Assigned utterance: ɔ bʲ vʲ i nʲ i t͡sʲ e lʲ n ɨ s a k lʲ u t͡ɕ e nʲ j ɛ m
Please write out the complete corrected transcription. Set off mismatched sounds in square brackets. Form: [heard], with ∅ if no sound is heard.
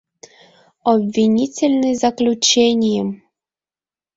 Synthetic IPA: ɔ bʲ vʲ i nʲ i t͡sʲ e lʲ n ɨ [z] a k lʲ u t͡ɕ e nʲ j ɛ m